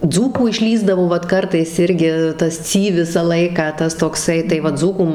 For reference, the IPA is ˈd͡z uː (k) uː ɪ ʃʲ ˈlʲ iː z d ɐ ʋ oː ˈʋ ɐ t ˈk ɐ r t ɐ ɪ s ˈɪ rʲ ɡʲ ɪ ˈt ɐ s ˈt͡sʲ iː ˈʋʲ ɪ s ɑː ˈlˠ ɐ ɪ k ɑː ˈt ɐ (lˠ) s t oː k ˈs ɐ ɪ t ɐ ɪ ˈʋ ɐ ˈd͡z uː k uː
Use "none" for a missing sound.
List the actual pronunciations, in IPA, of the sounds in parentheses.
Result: k, none

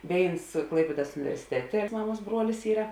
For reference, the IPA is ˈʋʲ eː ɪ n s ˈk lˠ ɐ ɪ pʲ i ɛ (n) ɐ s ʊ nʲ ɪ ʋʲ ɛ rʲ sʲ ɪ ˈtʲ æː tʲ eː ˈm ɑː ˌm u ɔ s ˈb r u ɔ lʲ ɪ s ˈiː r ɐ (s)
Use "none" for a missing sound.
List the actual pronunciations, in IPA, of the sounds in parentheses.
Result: d, none

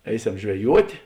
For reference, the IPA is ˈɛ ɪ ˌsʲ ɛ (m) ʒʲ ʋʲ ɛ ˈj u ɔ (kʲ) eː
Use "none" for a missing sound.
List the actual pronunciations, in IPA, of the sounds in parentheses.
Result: m, tʲ

